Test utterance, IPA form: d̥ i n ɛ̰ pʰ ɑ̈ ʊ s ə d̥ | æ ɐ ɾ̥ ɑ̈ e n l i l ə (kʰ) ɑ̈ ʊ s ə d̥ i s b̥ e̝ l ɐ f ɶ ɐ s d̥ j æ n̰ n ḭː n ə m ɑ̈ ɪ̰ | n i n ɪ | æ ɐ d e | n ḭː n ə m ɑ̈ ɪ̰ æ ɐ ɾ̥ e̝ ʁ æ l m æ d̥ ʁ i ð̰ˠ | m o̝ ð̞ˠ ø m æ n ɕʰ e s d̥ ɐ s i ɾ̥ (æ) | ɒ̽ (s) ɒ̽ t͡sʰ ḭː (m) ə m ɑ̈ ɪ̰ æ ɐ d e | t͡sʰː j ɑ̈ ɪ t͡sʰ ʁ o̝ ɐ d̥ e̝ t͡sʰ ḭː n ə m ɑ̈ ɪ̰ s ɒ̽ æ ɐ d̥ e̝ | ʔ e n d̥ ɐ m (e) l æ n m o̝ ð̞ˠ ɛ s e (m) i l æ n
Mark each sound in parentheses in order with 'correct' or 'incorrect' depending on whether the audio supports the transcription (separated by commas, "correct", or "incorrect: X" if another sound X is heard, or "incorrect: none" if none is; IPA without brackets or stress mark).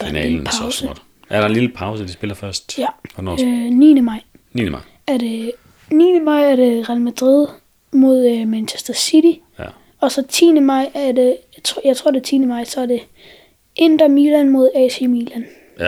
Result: incorrect: pʰ, incorrect: i, correct, incorrect: n, incorrect: i, correct